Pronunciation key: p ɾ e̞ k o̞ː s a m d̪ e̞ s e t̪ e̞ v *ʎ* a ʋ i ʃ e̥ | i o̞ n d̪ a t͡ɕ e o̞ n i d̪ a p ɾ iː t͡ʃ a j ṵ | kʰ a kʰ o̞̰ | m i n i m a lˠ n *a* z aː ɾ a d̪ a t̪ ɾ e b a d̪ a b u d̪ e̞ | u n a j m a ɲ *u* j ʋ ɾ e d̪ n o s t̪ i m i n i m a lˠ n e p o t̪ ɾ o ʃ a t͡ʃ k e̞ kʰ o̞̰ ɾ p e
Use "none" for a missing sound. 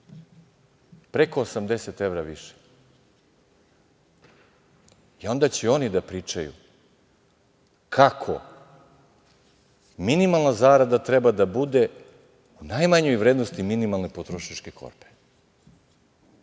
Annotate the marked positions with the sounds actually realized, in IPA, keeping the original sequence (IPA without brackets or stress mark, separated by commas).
ɾ, a, o